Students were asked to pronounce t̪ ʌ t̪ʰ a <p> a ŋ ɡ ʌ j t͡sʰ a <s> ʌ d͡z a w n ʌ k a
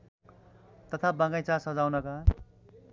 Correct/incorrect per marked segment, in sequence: incorrect, correct

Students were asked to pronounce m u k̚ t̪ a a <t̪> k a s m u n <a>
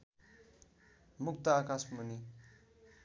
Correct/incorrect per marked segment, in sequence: incorrect, incorrect

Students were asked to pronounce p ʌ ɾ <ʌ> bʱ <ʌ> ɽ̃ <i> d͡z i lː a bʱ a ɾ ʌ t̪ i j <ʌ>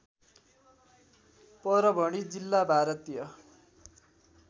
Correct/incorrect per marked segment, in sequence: correct, correct, correct, correct

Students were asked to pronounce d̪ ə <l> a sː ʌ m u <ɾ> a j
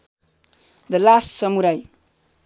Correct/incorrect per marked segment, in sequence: correct, correct

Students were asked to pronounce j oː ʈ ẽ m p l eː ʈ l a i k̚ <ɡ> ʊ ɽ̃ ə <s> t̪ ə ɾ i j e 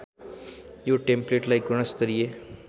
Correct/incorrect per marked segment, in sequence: correct, correct

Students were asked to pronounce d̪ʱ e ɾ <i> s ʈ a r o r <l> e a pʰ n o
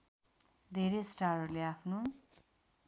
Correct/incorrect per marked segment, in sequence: incorrect, correct

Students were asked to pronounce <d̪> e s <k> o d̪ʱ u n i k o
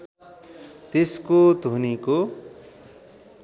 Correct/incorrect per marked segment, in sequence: incorrect, correct

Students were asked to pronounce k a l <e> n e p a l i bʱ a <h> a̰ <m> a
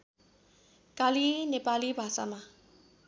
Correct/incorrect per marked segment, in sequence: incorrect, incorrect, correct

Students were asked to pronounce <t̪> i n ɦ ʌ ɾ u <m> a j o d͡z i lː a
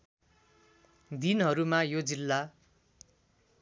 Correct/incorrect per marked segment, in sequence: incorrect, correct

